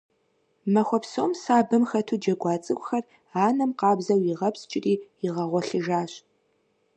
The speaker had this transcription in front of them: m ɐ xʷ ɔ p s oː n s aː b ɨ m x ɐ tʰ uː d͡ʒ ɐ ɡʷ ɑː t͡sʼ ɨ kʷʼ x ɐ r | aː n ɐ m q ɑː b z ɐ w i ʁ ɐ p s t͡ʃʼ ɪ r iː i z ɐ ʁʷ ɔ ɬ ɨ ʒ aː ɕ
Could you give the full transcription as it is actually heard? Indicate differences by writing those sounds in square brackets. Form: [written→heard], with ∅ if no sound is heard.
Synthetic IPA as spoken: m ɐ xʷ ɔ p s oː [n→m] s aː b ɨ m x ɐ tʰ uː d͡ʒ ɐ ɡʷ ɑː t͡sʼ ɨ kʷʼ x ɐ r | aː n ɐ m q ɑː b z ɐ w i ʁ ɐ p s t͡ʃʼ ɪ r iː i [z→ʁ] ɐ ʁʷ ɔ ɬ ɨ ʒ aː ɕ